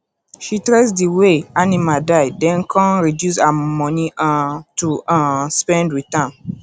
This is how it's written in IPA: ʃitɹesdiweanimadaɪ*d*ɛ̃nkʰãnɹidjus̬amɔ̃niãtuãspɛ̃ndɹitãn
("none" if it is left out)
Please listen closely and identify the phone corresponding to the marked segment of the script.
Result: d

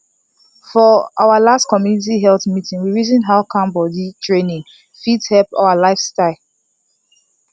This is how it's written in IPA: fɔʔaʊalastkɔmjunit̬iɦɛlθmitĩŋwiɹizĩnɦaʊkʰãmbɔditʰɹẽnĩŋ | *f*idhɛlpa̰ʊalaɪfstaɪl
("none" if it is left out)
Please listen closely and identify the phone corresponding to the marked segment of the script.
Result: f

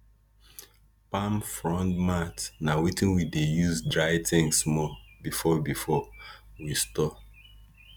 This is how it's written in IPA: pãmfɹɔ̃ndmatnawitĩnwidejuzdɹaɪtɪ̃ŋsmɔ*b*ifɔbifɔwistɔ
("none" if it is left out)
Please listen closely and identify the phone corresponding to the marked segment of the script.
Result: b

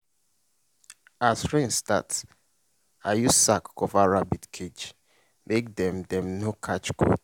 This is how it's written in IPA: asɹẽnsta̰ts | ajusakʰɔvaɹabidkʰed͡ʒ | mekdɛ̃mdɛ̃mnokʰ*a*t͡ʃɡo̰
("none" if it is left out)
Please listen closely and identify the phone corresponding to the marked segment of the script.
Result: a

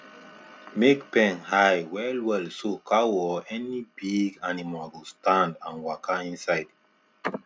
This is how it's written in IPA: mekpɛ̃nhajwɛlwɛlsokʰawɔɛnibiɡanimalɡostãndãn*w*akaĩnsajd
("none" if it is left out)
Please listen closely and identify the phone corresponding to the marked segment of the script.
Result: w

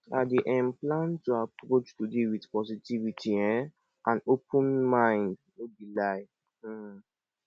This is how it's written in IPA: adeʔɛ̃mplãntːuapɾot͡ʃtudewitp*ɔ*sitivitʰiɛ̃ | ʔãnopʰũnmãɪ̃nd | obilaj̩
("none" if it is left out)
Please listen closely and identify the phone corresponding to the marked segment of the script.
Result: ɔ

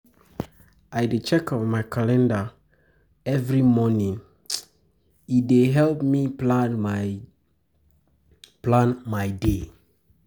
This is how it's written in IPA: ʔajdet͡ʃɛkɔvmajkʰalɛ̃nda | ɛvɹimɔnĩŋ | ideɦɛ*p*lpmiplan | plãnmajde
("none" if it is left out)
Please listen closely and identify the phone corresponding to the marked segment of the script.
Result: none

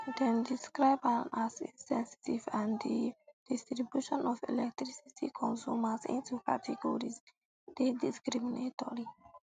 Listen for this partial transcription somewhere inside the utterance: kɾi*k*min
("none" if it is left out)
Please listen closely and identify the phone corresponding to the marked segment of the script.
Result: none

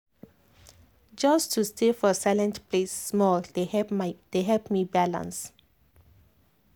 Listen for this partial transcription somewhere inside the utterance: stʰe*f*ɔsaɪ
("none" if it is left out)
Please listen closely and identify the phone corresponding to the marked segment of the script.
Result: f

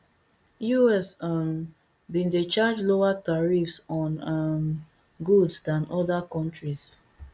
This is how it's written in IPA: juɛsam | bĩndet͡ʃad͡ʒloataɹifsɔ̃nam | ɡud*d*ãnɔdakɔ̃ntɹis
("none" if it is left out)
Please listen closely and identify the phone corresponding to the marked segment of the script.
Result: d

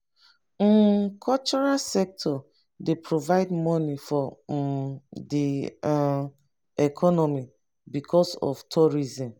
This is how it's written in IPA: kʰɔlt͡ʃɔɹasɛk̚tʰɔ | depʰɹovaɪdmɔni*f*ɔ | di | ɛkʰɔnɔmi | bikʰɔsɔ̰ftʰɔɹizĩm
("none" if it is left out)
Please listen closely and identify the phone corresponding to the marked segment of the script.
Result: f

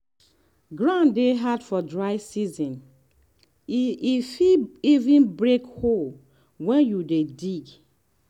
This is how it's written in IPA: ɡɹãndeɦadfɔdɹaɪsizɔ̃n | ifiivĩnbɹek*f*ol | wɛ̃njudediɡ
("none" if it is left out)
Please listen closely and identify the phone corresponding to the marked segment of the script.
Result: h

